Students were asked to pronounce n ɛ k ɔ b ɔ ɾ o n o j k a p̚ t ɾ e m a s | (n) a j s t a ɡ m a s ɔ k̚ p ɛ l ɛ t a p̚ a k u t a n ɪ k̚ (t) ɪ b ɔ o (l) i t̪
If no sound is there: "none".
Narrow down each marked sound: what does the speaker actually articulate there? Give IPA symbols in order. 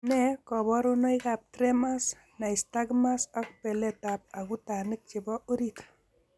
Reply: n, t͡ʃ, ɾ

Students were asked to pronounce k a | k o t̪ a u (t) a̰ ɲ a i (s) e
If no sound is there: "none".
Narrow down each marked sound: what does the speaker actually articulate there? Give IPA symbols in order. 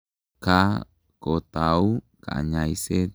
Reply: k, s

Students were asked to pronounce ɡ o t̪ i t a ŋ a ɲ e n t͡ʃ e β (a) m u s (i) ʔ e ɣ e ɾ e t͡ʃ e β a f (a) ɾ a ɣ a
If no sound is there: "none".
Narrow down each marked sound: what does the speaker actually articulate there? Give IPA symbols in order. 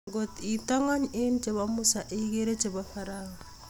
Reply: a, a, a

